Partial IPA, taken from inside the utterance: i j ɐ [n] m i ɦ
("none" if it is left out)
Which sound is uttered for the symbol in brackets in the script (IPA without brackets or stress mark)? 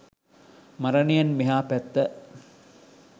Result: n